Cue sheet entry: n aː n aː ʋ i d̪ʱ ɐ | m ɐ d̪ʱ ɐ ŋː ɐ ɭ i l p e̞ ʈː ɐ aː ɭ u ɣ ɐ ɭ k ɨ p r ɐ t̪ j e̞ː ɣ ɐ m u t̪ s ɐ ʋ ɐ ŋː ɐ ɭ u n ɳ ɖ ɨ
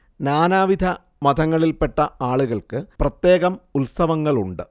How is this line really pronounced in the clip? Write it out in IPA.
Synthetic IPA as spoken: n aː n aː ʋ i d̪ʱ ɐ | m ɐ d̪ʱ ɐ ŋː ɐ ɭ i l p e̞ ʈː ɐ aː ɭ u ɣ ɐ ɭ k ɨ p r ɐ t̪ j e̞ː ɣ ɐ m u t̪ s ɐ ʋ ɐ ŋː ɐ ɭ u ɳ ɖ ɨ